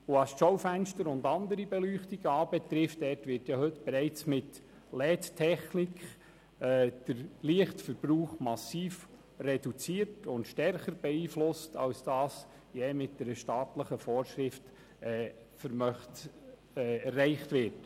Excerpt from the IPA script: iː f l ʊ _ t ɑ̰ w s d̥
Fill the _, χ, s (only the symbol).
s